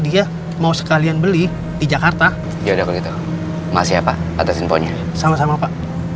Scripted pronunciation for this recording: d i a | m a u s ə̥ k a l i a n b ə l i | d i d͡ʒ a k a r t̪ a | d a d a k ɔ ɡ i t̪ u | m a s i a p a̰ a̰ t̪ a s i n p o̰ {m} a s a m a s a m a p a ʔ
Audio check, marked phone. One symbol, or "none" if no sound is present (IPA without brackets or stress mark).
ɲ